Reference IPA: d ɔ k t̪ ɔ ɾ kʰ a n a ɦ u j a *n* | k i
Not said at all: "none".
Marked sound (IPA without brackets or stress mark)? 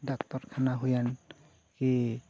n